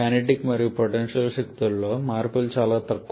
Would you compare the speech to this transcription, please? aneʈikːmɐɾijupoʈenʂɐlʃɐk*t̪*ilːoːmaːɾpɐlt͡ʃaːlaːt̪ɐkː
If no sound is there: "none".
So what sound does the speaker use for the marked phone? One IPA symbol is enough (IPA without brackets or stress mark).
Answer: t̪